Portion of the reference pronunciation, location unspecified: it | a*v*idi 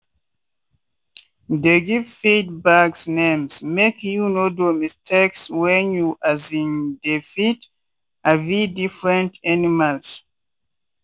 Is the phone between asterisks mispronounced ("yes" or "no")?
no